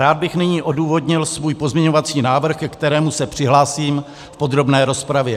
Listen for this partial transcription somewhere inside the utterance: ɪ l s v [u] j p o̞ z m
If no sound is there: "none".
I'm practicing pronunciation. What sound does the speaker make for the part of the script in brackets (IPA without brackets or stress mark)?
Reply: uː